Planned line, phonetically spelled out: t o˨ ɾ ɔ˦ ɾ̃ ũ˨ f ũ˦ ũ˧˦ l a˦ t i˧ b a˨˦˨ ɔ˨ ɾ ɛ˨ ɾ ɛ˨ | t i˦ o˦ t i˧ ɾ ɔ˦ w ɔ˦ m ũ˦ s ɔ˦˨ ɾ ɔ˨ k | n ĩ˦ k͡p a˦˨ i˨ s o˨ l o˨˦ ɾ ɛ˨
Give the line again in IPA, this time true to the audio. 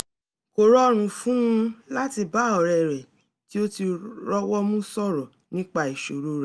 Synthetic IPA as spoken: k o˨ ɾ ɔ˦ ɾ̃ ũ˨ f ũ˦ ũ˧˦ l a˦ t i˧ b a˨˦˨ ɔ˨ ɾ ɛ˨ ɾ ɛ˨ | t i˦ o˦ t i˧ ɾ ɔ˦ w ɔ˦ m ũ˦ s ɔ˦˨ ɾ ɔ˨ | n ĩ˦ k͡p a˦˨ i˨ ʃ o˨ ɾ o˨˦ ɾ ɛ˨

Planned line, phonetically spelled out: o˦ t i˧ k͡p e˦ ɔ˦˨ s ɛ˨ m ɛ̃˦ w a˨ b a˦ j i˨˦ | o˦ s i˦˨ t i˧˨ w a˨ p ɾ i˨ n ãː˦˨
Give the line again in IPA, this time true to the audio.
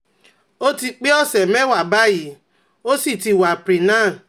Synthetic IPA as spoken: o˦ t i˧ k͡p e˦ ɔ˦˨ s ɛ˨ m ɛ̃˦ w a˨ b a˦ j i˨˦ | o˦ s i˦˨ t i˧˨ w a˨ p ɾ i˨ n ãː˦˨

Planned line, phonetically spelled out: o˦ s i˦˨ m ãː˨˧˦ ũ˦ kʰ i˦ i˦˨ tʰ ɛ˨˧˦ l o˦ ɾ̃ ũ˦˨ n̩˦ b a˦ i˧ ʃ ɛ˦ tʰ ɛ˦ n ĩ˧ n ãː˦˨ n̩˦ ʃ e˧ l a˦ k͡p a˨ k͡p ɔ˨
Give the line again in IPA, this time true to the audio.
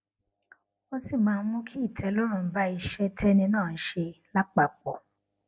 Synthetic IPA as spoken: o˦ s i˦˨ m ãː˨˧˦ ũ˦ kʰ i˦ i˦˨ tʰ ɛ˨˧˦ l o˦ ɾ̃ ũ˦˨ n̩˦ b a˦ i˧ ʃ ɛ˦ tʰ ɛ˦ n ĩ˧ n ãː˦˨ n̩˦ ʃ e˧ l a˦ k͡p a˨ k͡p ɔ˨

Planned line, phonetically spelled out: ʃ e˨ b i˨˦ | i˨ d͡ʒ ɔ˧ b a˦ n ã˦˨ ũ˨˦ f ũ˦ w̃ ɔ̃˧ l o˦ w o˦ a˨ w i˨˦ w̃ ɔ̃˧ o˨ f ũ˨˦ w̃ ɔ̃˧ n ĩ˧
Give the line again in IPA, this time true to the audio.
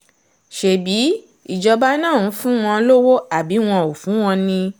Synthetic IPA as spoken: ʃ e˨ b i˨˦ | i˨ d͡ʒ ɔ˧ b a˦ n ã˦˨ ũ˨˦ f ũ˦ w̃ ɔ̃˧ l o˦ w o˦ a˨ b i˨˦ w̃ ɔ̃˧ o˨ f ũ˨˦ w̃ ɔ̃˧ n ĩ˧

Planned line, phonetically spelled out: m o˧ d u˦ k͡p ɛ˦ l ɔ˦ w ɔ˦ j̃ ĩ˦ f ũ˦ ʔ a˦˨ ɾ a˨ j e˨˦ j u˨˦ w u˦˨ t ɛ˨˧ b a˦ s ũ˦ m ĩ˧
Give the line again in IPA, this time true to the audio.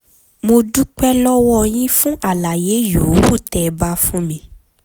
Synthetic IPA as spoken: m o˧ d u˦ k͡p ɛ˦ l ɔ˦ w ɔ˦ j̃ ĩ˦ f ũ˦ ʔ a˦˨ l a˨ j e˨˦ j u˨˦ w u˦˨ t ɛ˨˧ b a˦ f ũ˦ m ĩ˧

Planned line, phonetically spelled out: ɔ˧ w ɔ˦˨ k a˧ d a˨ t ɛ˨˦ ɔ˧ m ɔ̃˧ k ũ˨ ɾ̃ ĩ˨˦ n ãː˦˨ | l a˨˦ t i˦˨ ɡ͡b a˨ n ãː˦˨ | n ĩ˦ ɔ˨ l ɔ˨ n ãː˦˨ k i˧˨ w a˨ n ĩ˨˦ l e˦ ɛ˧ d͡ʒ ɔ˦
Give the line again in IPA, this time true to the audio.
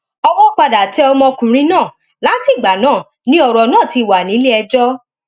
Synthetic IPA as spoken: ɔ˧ w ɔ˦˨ k͡p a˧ d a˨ t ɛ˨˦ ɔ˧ m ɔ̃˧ k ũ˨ ɾ̃ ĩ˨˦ n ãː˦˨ | l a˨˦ t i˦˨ ɡ͡b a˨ n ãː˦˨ | n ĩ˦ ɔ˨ ɾ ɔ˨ n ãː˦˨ t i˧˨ w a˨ n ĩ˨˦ l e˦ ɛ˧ d͡ʒ ɔ˦

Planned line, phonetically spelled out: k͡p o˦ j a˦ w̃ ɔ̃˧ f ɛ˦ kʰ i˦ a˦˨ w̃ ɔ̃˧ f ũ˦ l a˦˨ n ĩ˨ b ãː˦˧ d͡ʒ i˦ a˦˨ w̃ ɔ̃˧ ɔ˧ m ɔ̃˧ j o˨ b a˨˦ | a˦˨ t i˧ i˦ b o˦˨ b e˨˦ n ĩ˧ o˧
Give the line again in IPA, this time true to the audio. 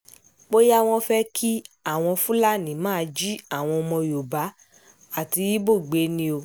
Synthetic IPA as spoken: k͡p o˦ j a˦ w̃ ɔ̃˧ f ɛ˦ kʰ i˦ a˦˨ w̃ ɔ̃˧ f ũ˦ l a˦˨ n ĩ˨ m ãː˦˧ d͡ʒ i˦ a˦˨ w̃ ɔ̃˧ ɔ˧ m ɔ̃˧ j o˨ b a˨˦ | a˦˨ t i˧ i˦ b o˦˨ ɡ͡b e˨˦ n ĩ˧ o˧

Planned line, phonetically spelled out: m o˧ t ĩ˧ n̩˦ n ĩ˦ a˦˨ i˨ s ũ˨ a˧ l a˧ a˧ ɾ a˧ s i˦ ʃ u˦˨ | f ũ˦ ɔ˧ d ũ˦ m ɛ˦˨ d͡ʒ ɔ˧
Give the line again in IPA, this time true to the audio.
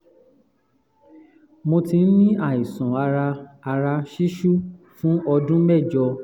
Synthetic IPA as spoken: m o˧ t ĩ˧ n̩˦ n ĩ˦ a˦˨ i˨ s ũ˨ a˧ ɾ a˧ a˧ ɾ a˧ ʃ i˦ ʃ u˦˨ | f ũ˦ ɔ˧ d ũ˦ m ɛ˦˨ d͡ʒ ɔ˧

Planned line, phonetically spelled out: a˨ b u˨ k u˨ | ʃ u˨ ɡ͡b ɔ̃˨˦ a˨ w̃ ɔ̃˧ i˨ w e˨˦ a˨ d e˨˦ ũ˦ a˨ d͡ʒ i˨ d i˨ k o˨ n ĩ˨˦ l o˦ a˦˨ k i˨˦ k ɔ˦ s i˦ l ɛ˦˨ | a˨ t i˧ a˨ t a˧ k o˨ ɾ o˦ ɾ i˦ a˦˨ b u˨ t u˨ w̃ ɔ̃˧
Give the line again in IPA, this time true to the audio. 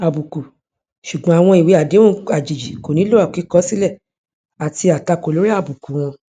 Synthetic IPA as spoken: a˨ b u˨ k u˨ | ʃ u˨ ɡ͡b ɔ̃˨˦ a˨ w̃ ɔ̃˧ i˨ w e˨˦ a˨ d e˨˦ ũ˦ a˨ d͡ʒ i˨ d͡ʒ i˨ k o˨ n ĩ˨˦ l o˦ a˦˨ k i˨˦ k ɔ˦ s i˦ l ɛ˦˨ | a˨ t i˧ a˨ t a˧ k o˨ l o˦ ɾ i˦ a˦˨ b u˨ k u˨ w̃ ɔ̃˧

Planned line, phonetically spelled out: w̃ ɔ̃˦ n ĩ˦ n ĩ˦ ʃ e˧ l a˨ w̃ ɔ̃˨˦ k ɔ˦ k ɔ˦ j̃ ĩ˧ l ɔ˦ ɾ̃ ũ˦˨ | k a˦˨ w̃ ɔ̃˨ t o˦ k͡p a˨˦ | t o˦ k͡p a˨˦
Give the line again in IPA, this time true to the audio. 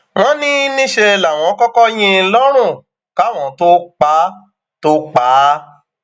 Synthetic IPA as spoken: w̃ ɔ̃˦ n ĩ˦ n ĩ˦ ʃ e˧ l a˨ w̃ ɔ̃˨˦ k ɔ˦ k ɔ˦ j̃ ĩ˧ l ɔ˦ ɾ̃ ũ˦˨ | k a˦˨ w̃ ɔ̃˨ t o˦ k͡p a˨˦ | t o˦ k͡p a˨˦

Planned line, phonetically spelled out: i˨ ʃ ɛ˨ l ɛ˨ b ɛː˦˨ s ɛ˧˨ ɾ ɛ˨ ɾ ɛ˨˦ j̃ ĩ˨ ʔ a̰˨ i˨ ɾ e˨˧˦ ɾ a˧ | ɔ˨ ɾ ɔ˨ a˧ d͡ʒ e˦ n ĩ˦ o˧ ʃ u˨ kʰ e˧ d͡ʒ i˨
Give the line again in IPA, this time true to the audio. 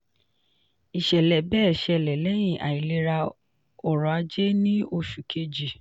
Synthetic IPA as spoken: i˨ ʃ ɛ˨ l ɛ˨ b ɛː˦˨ ʃ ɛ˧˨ l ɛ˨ l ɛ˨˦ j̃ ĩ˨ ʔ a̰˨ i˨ l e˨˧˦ ɾ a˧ | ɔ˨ ɾ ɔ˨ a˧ d͡ʒ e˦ n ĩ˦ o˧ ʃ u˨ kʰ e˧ d͡ʒ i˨

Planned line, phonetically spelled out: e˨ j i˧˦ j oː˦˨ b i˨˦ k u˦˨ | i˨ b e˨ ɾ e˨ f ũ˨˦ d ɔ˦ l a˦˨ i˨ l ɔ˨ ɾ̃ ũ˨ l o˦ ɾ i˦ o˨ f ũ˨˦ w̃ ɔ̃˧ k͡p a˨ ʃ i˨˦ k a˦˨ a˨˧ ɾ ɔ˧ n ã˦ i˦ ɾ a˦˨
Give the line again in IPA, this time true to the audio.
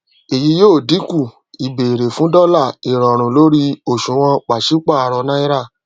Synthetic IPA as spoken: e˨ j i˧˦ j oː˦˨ d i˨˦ k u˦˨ | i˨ b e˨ ɾ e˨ f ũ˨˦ d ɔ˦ l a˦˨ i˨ ɾ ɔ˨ ɾ̃ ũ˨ l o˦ ɾ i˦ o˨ ʃ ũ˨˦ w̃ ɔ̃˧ k͡p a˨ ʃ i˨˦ k͡p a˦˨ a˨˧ ɾ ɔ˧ n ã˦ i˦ ɾ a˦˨

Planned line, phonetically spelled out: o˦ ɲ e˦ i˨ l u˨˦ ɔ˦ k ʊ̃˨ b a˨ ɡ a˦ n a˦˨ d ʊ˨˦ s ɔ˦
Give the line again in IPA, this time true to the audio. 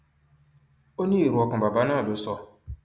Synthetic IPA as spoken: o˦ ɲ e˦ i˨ ɾ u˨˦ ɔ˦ k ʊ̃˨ b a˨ b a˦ n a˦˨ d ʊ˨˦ s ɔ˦

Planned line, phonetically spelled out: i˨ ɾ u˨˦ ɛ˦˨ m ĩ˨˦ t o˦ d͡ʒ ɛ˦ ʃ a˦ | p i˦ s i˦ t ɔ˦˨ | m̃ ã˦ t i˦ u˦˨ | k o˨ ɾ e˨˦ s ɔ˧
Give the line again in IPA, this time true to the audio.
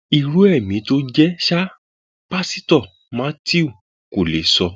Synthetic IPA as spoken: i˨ ɾ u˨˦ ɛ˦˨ m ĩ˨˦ t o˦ d͡ʒ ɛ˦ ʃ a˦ | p a˦ s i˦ t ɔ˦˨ | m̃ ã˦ t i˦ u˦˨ | k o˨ l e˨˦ s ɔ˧

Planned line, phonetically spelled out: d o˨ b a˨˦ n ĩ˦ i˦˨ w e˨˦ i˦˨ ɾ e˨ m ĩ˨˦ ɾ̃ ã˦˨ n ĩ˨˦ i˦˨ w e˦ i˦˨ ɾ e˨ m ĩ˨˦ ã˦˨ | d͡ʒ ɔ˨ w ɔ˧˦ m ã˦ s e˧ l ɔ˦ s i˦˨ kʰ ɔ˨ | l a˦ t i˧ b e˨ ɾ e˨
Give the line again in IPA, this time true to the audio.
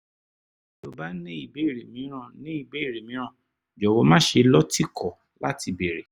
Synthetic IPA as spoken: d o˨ b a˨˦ n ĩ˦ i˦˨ b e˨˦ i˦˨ ɾ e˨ m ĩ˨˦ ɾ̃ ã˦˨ n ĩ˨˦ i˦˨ b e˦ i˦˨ ɾ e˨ m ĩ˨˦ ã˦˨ | d͡ʒ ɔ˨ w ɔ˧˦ m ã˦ ʃ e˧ l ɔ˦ t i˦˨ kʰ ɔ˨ | l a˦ t i˧ b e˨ ɾ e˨

